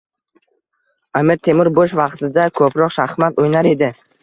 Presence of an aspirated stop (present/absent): present